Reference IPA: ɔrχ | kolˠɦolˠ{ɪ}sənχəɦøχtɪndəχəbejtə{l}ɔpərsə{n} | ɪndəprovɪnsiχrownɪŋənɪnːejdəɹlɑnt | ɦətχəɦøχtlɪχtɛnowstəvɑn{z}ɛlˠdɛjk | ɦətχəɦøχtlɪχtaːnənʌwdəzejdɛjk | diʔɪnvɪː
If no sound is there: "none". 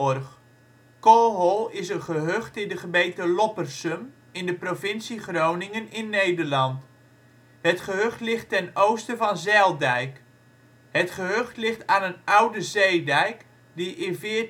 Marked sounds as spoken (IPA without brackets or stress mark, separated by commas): ɪ, l, m, z